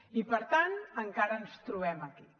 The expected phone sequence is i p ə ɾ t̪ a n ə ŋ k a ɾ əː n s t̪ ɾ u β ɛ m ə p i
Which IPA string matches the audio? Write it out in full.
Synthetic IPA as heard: i p ə ɾ t̪ a n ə ŋ k a ɾ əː n s t̪ ɾ u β ɛ m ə k i

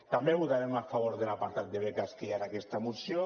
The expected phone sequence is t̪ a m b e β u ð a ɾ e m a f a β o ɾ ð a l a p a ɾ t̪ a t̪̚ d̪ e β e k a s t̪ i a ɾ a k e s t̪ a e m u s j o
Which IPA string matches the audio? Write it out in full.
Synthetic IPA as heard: t̪ a m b e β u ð a ɾ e m a f a β o ɾ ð e l a p a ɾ t̪ a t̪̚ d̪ e β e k a s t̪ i a ɾ a k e s t̪ a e m u s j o

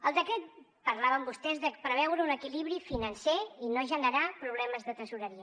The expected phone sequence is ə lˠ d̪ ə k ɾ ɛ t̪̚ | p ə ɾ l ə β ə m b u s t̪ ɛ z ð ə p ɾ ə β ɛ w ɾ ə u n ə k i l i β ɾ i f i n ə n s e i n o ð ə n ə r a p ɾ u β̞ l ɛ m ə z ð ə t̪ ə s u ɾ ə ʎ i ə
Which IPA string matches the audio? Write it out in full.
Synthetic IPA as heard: ə lˠ d̪ ə k ɾ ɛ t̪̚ | p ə ɾ l a β ə m b u s t̪ ɛ z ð ə p ɾ ə β ɛ w ɾ ə u n ə k i l i β ɾ i f i n ə n s e i n o ʒ ə n ə ɾ a p ɾ u β̞ l ɛ m ə z ð ə t̪ ə s u ɾ ə ɾ i ə

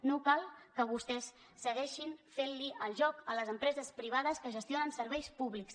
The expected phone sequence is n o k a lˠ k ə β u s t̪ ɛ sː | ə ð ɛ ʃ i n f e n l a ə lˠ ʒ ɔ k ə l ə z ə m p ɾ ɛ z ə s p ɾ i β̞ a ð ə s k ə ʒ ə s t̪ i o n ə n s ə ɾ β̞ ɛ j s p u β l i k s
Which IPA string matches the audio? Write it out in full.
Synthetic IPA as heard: n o k a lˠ k ə β u s t̪ ɛ sː | ə ɣ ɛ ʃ i n f e n l i ə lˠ ʒ ɔ k ə l ə z ə m p ɾ ɛ z ə s p ɾ i β̞ a ð ə s k ə ʒ ə s t̪ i o n ə n s ə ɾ β̞ ɛ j s p u β l i k s

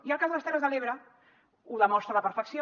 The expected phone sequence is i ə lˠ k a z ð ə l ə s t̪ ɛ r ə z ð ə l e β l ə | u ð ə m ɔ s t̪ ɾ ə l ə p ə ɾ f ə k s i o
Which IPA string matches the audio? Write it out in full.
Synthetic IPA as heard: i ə lˠ k a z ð ə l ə s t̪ ɛ r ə z ð ə l e β ɾ ə | u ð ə m ɔ s t̪ ɾ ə l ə p ə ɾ f ə k s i o

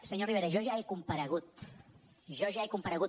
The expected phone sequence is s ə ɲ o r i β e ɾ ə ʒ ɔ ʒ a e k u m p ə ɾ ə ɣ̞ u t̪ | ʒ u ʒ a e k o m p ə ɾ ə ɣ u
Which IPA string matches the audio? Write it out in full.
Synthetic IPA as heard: s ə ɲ o r i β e ɾ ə ʒ ɔ ʒ a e k u m p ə ɾ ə ɣ̞ u t̪ | ʒ ɔ ʒ a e k u m p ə ɾ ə ɣ u

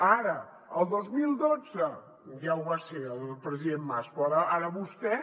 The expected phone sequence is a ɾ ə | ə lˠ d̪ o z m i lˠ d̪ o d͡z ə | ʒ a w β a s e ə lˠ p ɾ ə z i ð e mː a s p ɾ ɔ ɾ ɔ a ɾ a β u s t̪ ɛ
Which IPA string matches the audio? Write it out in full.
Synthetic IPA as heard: a ɾ ə | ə lˠ d̪ o z m i lˠ d̪ o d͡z ə | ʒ a w β a s e ə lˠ p ɾ ə z i ð e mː a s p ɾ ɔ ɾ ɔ a ɾ ə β u s t̪ ɛ

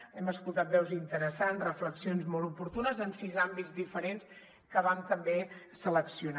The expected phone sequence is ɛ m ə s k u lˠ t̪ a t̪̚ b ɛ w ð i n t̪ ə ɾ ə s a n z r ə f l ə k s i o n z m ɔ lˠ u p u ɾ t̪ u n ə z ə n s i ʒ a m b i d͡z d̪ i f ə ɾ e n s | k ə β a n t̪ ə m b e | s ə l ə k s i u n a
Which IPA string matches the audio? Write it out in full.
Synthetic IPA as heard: ɛ m ə s k u lˠ t̪ a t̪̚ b ɛ w z i n t̪ ə ɾ ə s a n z r ə f l ə k s i o n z m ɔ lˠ u p u ɾ t̪ u n ə z ə n s i z a m b i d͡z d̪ i f ə ɾ e n s | k ə β a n t̪ ə m b e | s ə l ə k s i u n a

